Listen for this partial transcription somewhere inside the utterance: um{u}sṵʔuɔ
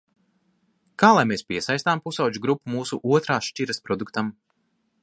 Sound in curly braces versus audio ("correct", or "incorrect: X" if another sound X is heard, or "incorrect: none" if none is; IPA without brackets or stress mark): incorrect: uː